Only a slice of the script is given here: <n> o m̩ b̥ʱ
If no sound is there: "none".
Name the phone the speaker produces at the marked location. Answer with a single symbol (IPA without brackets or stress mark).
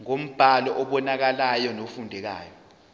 ŋ